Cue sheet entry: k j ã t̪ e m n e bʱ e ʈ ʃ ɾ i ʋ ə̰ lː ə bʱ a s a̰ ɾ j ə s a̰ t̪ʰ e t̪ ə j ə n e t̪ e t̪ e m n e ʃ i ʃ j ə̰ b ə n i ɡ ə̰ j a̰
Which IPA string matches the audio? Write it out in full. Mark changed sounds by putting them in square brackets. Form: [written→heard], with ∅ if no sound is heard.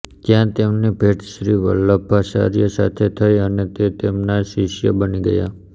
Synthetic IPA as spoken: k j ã t̪ e m n e bʱ e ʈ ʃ ɾ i ʋ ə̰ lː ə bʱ a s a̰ ɾ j ə s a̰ t̪ʰ e [t̪→t̪ʰ] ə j ə n e t̪ e t̪ e m n [e→a] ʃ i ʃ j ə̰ b ə n i ɡ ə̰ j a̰